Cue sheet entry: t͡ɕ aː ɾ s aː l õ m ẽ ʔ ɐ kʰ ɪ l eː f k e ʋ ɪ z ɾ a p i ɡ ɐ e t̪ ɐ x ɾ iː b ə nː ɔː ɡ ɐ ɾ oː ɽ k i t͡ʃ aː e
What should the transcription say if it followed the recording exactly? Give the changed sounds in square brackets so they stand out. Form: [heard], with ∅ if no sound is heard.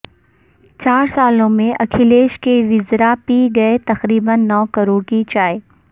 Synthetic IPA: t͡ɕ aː ɾ s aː l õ m ẽ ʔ ɐ kʰ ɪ l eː [ʃ] k e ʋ ɪ z ɾ a p i ɡ ɐ e t̪ ɐ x ɾ iː b ə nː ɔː [k] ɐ ɾ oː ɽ k i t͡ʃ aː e